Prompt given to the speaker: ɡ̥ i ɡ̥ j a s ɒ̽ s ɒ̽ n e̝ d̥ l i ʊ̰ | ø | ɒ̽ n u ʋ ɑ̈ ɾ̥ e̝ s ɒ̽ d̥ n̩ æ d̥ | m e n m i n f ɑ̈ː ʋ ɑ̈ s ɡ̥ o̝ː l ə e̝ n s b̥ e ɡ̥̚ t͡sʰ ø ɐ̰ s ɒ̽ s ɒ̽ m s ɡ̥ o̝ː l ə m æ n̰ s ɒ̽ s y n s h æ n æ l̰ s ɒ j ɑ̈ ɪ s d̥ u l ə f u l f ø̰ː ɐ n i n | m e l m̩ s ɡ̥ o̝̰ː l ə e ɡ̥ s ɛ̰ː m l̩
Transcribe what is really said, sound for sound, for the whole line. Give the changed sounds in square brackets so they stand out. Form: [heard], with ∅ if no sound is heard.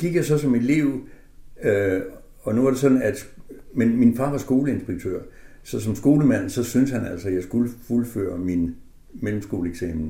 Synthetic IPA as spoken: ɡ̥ i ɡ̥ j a s ɒ̽ s ɒ̽ [m] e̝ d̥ l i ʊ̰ | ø | ɒ̽ n u ʋ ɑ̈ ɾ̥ e̝ s ɒ̽ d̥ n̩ æ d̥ | m e n m i n f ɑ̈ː ʋ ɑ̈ s ɡ̥ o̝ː l ə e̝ n s b̥ e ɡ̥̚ t͡sʰ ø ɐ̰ s ɒ̽ s ɒ̽ m s ɡ̥ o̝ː l ə m æ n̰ s ɒ̽ s y n s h æ n æ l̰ s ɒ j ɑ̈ ɪ s [ɡ̥] u l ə f u l f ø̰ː ɐ [m] i n | m e l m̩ s ɡ̥ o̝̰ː l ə e ɡ̥ s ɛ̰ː m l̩